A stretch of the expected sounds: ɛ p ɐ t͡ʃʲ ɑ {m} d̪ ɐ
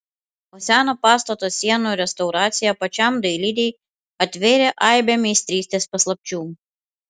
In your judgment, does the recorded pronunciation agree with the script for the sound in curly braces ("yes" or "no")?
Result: yes